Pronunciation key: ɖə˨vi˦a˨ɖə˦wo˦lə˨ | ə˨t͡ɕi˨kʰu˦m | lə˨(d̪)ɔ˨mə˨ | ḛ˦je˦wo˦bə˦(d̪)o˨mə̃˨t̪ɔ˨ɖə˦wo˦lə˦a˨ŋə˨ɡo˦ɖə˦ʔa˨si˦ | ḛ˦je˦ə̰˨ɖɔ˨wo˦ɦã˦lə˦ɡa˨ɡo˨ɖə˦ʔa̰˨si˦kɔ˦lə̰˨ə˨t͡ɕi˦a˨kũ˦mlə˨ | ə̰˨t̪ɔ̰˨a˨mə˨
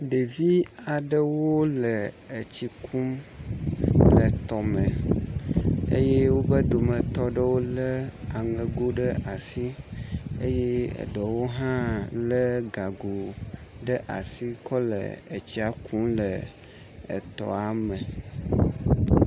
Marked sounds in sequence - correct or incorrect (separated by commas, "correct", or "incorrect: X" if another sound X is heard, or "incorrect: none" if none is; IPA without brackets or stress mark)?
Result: incorrect: t̪, correct